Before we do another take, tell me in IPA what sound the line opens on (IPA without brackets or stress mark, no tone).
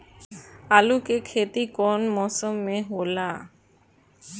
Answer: a